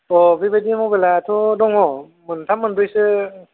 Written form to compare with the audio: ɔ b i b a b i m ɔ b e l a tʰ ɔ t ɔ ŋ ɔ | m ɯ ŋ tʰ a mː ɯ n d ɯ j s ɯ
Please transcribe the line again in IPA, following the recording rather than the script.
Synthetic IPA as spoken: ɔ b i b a d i m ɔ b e l a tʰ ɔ d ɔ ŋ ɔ | m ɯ n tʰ a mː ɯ n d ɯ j s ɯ